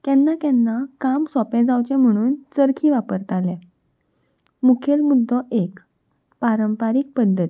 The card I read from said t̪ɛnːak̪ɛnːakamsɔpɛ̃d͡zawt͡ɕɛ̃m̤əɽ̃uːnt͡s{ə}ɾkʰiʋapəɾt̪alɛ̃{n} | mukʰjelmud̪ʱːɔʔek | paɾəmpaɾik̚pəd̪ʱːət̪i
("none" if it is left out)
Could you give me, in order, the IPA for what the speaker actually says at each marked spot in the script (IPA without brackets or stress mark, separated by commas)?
ə, none